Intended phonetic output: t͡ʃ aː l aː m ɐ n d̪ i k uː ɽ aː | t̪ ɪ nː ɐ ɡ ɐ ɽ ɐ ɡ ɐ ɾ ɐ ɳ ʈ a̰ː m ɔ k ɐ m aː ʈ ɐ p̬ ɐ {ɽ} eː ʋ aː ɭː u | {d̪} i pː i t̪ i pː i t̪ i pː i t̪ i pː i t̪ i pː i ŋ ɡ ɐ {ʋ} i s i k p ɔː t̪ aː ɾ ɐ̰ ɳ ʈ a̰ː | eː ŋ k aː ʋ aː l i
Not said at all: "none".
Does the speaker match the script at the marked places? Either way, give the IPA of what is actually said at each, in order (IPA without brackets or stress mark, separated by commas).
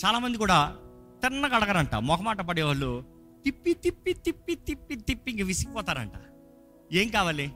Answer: ɽ, t̪, ʋ